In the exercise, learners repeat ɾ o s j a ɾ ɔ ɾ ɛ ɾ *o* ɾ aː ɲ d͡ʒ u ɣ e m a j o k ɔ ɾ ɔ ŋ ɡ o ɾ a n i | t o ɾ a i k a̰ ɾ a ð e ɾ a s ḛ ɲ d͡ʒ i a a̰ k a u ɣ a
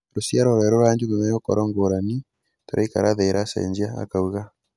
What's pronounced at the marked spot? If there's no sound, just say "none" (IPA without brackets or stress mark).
o